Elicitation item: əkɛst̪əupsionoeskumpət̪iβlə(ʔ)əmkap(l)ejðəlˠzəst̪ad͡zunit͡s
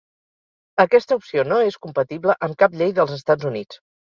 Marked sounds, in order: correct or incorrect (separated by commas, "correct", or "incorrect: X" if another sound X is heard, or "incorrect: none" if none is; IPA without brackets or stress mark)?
correct, incorrect: ʎ